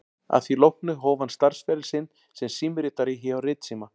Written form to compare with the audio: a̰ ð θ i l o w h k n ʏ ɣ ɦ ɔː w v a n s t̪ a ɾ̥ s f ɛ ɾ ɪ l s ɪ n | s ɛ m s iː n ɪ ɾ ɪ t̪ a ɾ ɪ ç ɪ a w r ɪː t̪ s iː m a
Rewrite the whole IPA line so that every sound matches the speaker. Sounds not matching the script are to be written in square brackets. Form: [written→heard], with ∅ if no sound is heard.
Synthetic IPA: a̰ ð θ i l o w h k n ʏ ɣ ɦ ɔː w v a n s t̪ a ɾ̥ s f ɛ ɾ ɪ l s ɪ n | s ɛ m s iː [n→m] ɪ ɾ ɪ t̪ a ɾ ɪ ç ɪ a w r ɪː t̪ s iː m a